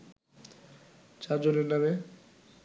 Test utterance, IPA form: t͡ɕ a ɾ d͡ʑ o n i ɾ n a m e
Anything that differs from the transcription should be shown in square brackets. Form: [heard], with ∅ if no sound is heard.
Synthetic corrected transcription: t͡ɕ a ɾ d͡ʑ o n [e] ɾ n a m e